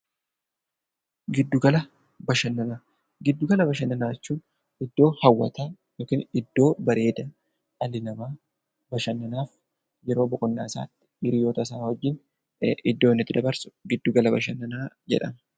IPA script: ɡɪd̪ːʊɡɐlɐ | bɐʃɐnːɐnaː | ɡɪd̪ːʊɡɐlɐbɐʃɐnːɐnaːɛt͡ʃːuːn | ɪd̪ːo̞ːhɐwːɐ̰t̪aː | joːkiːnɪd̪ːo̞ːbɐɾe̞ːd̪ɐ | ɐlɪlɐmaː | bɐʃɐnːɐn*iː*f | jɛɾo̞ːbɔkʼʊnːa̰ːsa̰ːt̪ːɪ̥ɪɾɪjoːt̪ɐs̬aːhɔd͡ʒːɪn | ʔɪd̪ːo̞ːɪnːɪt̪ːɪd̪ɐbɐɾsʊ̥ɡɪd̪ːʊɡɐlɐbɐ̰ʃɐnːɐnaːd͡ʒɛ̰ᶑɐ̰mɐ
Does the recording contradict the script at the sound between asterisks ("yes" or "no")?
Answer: yes